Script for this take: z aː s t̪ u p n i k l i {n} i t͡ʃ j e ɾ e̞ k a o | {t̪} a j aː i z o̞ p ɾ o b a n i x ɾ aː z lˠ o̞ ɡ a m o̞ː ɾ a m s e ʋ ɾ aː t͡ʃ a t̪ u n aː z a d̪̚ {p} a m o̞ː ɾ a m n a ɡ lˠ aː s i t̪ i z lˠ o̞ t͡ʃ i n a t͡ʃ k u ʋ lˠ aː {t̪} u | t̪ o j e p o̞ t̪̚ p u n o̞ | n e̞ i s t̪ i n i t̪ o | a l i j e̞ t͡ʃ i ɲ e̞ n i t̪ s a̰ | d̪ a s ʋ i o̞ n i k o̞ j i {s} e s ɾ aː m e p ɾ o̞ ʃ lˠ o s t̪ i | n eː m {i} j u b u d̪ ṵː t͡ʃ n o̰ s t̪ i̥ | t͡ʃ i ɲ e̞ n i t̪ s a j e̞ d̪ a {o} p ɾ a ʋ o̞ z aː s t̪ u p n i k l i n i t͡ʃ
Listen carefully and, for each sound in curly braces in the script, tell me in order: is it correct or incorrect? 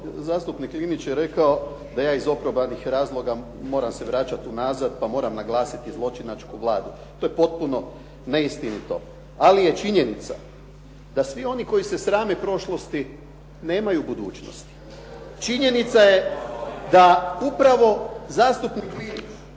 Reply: correct, incorrect: d̪, correct, incorrect: d̪, correct, incorrect: a, incorrect: u

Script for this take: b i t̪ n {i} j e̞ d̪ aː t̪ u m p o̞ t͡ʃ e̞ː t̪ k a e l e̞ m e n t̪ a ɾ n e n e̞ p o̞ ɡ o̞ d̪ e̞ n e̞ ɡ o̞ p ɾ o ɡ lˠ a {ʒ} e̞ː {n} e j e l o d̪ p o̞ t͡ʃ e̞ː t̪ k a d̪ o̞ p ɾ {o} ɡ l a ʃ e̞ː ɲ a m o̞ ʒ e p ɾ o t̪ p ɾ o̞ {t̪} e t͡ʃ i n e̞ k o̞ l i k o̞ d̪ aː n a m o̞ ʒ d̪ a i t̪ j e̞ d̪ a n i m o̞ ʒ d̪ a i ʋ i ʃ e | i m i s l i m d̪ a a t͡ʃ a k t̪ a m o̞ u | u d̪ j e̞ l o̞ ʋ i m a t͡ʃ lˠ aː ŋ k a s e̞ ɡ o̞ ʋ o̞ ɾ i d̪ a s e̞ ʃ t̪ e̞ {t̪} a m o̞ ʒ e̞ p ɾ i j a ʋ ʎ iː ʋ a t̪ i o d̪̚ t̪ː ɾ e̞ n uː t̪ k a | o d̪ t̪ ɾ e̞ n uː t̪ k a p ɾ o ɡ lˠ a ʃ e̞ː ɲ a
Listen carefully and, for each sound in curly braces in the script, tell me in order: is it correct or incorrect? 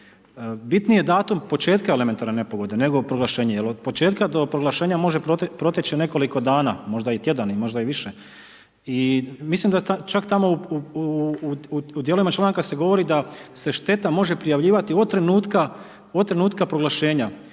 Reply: correct, incorrect: ʃ, incorrect: ɲ, correct, correct, correct

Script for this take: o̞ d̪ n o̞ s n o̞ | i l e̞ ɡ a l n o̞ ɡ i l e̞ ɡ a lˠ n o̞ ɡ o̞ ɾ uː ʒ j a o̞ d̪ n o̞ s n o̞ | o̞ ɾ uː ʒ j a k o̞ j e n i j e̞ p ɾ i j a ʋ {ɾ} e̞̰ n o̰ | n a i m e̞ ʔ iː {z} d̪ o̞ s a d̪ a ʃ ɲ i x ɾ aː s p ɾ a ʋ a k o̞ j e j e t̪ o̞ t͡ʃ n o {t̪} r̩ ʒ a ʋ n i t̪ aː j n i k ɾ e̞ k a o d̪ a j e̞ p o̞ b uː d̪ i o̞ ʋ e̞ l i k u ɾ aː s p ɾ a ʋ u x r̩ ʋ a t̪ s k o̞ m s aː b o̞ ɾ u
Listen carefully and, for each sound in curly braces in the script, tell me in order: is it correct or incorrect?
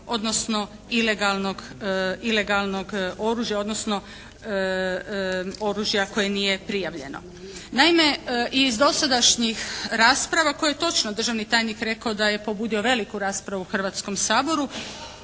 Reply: incorrect: ʎ, correct, incorrect: d̪

